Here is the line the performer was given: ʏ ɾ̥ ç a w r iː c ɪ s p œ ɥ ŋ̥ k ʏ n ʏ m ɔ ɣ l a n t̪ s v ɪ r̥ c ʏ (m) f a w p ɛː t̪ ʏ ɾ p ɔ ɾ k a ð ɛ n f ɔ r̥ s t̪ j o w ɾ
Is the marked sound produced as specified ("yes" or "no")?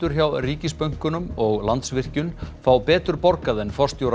no